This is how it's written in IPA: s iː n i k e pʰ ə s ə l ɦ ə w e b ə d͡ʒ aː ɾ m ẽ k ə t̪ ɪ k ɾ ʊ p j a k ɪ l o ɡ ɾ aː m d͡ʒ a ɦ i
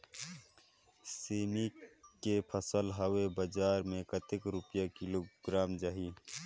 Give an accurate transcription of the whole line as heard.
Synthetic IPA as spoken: s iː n i k e pʰ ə s ə l ɦ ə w e b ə d͡ʒ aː ɾ m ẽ k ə t̪ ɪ k ɾ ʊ p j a k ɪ l o ɡ ɾ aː m d͡ʒ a ɦ i